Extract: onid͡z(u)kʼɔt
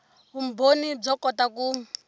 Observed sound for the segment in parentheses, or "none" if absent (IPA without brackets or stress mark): ɔ